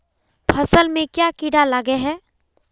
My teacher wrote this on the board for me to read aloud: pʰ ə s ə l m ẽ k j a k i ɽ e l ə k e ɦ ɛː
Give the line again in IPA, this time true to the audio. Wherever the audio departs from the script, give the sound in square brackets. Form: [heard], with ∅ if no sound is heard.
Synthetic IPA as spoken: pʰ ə s ə l m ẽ k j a k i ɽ [a] l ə [ɡ] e ɦ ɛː